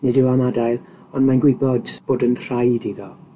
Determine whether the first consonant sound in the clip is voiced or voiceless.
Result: voiced